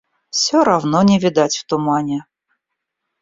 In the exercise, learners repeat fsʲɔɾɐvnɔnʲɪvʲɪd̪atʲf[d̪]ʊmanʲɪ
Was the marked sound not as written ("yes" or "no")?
yes